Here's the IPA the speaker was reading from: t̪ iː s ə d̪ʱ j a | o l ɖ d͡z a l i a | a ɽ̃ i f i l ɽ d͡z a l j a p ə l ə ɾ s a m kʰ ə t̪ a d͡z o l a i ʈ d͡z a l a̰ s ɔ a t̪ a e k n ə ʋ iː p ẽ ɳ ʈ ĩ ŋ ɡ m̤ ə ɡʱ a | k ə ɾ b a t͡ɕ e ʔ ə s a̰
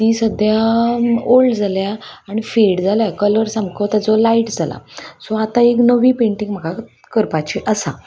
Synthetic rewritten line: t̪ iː s ə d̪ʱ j a | o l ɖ d͡z a l j a | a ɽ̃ i f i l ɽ d͡z a l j a k ə l ə ɾ s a m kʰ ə t̪ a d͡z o l a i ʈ d͡z a l a̰ s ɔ a t̪ a e k n ə ʋ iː p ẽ ɳ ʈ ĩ ŋ ɡ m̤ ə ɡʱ a | k ə ɾ p a t͡ɕ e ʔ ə s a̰